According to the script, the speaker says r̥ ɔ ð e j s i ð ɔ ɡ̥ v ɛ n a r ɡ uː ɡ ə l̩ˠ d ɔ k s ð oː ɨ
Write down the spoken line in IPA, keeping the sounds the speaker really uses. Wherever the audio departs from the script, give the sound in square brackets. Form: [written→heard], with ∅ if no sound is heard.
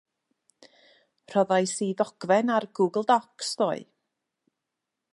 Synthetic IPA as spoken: r̥ ɔ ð [e→a] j s i ð ɔ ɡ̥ v ɛ n a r ɡ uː ɡ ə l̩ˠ d ɔ k s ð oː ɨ